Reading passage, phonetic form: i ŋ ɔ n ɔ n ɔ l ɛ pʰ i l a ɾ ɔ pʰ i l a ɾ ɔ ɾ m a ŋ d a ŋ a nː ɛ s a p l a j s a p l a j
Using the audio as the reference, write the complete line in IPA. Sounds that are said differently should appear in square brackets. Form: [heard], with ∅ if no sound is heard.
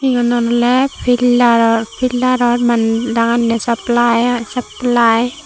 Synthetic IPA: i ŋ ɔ n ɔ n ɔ l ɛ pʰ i l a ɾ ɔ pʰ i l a ɾ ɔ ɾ m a [n] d a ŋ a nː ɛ s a p l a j s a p l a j

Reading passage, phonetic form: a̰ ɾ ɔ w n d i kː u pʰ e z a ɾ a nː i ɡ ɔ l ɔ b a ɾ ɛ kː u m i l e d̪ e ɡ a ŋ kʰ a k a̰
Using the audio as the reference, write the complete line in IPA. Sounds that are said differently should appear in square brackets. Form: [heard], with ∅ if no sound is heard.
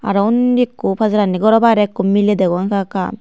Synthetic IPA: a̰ ɾ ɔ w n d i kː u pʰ [a] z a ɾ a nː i ɡ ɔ [ɾ] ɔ b a ɾ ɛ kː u m i l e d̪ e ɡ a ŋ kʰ a k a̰

